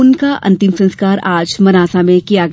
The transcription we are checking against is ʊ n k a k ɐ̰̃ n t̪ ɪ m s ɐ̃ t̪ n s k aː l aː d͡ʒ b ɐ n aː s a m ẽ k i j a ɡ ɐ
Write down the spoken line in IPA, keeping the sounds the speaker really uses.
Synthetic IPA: ʊ n k a ʔ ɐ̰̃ n t̪ ɪ m s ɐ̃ n s k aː ɾ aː d͡ʒ m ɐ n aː s a m ẽ k i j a ɡ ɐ